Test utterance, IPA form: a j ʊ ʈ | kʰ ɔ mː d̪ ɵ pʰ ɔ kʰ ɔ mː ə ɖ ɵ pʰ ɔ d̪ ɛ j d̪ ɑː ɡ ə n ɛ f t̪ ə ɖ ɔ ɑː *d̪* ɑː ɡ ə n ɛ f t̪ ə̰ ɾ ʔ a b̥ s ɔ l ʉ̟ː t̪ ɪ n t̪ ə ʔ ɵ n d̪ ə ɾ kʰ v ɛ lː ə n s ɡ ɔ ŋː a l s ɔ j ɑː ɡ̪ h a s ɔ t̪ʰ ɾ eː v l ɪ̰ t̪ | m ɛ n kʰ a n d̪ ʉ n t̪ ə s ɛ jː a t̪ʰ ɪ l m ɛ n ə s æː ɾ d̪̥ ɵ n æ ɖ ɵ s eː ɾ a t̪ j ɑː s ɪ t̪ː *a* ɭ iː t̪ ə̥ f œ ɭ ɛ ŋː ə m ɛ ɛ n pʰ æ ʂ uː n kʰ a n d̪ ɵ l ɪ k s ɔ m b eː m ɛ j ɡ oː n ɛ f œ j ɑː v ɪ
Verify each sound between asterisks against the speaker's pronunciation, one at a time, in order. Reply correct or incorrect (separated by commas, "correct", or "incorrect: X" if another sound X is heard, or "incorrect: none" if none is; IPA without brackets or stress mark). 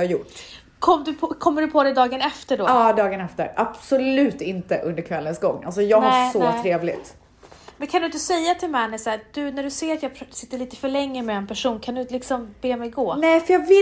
correct, incorrect: ə